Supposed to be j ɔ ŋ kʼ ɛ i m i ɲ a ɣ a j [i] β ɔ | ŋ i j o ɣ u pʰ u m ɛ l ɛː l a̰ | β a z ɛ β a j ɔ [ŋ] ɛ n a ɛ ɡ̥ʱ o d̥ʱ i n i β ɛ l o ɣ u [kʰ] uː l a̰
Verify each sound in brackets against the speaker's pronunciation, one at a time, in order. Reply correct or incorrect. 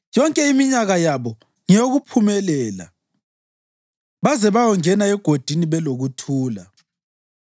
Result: incorrect, correct, incorrect

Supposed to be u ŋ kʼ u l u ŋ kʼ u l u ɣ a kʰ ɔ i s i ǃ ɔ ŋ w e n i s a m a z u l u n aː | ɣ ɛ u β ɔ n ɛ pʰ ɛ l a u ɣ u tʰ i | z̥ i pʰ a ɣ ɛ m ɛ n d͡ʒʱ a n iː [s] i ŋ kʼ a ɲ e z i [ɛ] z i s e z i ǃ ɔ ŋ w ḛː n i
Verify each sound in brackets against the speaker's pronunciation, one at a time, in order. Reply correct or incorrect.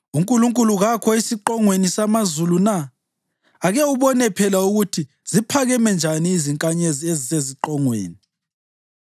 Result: incorrect, incorrect

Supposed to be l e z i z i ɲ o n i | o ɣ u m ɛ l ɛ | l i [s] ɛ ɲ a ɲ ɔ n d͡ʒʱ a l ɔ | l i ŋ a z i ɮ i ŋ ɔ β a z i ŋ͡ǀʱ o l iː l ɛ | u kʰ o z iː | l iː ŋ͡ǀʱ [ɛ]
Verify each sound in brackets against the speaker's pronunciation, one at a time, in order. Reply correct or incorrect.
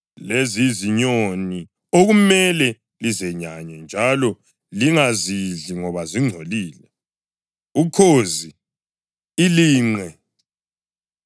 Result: incorrect, correct

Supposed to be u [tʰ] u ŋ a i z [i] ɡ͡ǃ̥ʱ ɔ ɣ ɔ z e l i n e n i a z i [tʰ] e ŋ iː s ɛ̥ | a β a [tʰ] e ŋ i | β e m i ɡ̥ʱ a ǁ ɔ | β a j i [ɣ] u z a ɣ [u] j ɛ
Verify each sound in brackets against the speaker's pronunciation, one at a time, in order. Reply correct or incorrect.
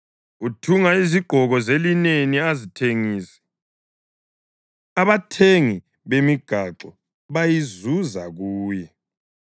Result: correct, correct, correct, correct, incorrect, incorrect

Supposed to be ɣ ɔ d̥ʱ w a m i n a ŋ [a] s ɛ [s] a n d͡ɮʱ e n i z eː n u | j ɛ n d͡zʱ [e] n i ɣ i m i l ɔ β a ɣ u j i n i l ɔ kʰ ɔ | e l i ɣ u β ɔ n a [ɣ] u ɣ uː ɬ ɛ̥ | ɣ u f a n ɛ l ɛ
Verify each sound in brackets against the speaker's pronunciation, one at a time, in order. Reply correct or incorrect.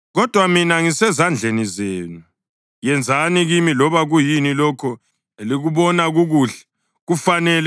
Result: incorrect, incorrect, incorrect, correct

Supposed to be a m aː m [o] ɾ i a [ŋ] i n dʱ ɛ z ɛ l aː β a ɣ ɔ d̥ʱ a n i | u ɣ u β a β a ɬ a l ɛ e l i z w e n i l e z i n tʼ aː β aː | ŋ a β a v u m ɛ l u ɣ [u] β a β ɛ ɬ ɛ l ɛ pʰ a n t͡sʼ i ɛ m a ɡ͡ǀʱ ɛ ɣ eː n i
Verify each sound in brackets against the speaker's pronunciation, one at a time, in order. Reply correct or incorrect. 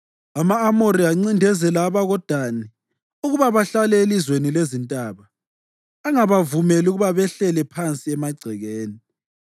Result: correct, incorrect, correct

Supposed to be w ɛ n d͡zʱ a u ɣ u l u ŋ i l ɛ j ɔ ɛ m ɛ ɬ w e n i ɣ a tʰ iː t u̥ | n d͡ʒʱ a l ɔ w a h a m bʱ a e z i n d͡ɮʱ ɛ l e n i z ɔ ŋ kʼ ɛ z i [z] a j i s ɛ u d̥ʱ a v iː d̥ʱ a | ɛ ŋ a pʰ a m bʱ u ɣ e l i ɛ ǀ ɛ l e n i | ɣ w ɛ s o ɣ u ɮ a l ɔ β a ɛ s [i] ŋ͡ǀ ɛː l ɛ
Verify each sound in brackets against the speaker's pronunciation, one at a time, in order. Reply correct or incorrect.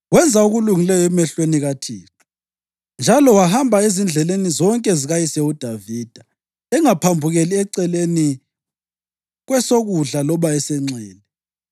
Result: incorrect, incorrect

